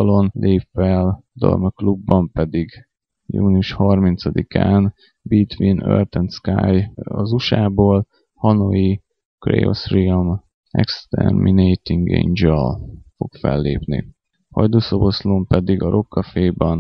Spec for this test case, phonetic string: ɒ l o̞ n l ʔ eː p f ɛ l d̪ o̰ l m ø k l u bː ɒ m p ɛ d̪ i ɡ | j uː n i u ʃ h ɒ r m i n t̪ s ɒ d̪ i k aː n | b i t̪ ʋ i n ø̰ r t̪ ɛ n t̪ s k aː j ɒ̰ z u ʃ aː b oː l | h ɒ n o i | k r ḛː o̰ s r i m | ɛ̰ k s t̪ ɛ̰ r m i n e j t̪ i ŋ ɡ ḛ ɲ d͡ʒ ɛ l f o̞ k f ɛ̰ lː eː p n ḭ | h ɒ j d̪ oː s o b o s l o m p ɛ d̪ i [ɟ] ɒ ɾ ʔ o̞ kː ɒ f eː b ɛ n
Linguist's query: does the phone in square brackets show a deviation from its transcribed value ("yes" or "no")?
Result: yes